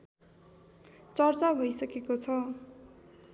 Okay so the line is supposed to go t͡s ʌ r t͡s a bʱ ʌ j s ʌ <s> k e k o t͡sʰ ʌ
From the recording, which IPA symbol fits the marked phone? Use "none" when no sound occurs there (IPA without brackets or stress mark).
none